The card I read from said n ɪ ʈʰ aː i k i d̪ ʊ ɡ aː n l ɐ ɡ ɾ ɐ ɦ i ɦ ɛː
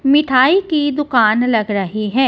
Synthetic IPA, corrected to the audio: m ɪ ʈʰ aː i k i d̪ ʊ k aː n l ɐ ɡ ɾ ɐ ɦ i ɦ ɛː